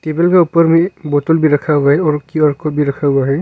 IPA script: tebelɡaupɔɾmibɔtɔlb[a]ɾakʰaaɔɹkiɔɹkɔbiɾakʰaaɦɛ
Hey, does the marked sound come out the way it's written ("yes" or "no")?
no